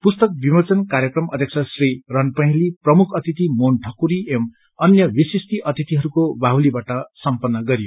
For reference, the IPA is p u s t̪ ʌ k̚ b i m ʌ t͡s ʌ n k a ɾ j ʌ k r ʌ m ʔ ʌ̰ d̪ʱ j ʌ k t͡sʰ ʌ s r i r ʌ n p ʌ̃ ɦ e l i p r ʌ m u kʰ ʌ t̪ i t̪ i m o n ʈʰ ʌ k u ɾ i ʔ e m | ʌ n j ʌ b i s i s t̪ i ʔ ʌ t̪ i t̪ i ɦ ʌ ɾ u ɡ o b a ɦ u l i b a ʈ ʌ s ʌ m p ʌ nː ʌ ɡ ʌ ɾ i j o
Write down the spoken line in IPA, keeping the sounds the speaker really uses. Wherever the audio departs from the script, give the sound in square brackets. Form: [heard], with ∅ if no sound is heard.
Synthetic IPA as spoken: p u s t̪ ʌ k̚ b i m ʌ t͡s ʌ n k a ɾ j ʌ k r ʌ m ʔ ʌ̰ d̪ʱ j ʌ k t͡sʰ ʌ s r i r ʌ n p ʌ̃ ɦ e l i p r ʌ m u kʰ ʌ t̪ i t̪ i m o n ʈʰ ʌ k u ɾ i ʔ e m | ʌ n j ʌ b i s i s t̪ i ʔ ʌ t̪ i t̪ i ɦ ʌ ɾ u [k] o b a ɦ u l i b a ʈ ʌ s ʌ m p ʌ nː ʌ ɡ ʌ ɾ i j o